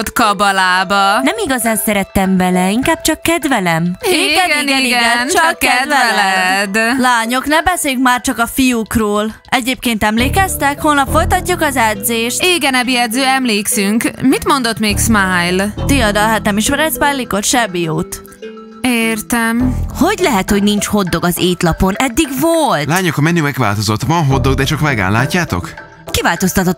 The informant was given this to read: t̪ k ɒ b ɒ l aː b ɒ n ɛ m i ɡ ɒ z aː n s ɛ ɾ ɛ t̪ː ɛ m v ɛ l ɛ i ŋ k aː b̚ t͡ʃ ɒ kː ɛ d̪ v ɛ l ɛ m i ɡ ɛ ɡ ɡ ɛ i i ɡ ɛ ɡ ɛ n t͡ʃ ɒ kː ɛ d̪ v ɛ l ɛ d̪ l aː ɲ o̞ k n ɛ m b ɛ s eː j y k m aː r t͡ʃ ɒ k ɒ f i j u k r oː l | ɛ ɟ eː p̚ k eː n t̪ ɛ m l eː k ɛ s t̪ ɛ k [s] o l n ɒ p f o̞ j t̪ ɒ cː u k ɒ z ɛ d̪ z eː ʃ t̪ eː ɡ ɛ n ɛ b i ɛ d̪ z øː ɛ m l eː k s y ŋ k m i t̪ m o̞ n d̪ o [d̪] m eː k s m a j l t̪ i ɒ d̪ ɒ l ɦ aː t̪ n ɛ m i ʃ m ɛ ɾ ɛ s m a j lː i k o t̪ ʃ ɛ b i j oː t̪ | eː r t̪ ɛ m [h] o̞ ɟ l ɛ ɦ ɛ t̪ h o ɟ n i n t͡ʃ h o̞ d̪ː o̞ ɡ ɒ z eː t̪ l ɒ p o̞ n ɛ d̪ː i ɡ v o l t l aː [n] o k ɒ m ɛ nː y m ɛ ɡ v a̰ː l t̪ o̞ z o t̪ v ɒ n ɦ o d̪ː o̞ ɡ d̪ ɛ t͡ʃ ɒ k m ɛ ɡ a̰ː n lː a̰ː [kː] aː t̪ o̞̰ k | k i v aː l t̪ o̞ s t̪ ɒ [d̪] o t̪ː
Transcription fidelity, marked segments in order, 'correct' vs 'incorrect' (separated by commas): incorrect, incorrect, correct, incorrect, incorrect, incorrect